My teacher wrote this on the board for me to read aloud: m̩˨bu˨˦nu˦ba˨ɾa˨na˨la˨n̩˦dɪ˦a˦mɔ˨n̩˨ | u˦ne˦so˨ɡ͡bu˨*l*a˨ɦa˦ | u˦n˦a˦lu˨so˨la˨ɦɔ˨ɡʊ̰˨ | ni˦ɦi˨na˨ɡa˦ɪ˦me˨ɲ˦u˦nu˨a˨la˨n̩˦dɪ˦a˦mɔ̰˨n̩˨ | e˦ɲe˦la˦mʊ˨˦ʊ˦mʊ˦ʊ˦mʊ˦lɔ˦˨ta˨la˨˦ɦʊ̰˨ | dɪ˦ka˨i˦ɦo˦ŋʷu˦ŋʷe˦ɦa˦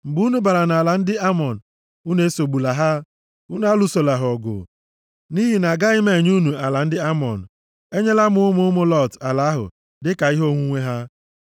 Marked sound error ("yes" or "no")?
no